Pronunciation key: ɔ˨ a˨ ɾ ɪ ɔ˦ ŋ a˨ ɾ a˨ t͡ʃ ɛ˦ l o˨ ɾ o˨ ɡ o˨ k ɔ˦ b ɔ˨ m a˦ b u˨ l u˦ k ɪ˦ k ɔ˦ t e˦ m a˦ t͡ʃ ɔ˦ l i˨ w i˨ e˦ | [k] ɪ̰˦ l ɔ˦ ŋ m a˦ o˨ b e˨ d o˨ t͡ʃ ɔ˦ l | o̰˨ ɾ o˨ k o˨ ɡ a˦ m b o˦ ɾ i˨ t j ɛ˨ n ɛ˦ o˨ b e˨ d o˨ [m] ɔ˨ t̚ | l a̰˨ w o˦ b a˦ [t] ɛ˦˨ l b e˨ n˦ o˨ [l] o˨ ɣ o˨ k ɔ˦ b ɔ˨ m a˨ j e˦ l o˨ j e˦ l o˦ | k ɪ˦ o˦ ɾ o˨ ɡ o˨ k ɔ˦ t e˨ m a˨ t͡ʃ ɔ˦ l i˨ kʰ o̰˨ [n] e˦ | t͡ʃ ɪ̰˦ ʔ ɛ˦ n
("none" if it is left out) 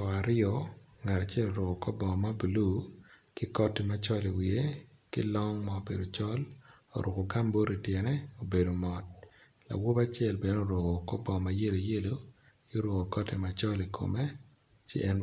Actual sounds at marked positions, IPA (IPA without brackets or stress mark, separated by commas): k, m, t͡ʃ, ɾ, m